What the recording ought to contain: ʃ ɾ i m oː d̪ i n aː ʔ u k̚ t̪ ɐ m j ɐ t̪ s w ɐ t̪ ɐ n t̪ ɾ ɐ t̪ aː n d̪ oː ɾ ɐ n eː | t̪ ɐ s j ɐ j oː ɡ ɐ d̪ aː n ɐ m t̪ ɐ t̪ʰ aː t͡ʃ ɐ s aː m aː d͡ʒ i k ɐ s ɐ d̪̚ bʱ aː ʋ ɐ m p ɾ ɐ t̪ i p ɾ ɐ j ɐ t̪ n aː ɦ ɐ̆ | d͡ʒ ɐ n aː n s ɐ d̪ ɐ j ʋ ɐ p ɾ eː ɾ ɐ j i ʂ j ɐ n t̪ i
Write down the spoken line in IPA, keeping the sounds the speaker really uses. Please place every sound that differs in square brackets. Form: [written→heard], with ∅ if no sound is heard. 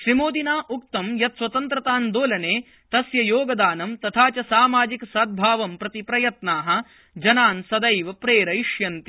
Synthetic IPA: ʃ ɾ i m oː d̪ i n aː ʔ u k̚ t̪ ɐ m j ɐ t̪ s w ɐ t̪ ɐ n t̪ ɾ ɐ t̪ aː n d̪ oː [ɾ→l] ɐ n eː | t̪ ɐ s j ɐ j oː ɡ ɐ d̪ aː n ɐ m t̪ ɐ t̪ʰ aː t͡ʃ ɐ s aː m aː d͡ʒ i k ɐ s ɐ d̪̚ bʱ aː ʋ ɐ m p ɾ ɐ t̪ i p ɾ ɐ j ɐ t̪ n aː ɦ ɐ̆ | d͡ʒ ɐ n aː n s ɐ d̪ ɐ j ʋ ɐ p ɾ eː ɾ ɐ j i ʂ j ɐ n t̪ i